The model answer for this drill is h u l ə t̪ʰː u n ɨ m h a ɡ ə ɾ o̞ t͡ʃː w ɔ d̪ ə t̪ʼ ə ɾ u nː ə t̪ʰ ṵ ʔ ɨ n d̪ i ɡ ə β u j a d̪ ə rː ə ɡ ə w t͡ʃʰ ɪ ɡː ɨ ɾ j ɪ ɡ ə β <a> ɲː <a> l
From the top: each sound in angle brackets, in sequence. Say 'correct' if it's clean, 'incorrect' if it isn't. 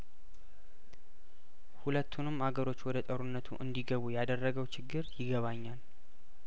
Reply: correct, correct

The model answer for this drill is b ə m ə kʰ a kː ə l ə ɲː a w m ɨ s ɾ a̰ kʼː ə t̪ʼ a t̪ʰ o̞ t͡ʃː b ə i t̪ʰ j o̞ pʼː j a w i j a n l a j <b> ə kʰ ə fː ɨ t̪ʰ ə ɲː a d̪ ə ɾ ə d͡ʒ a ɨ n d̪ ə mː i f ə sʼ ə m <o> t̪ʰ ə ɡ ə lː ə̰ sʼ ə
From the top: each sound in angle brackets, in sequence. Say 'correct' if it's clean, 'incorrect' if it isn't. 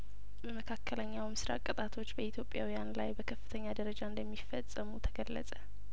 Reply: correct, incorrect: u

